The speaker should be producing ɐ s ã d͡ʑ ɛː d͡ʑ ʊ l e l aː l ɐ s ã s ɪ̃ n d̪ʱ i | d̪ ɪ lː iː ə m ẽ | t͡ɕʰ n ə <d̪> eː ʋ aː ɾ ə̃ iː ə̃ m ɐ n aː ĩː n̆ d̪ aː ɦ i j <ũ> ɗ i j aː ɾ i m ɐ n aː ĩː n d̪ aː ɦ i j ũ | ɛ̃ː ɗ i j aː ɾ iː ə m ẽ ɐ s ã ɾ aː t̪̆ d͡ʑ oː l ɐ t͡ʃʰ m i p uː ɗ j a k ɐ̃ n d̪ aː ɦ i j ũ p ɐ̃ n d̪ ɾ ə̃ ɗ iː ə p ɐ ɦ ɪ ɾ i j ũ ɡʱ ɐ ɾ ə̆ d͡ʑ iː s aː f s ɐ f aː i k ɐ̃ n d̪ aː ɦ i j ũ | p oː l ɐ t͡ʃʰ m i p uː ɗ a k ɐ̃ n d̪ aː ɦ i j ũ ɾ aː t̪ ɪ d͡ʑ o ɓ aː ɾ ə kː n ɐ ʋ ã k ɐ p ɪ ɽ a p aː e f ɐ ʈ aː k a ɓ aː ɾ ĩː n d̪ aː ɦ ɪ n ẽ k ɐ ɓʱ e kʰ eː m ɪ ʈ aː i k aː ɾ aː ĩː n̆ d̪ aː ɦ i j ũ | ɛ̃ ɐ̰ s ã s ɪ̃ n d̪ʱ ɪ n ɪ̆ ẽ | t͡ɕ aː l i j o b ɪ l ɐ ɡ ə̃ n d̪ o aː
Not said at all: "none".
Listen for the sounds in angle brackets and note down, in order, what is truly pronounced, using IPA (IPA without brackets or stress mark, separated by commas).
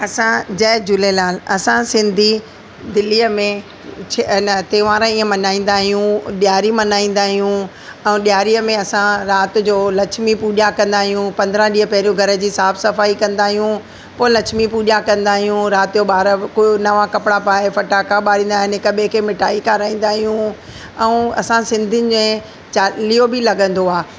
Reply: t̪, ũ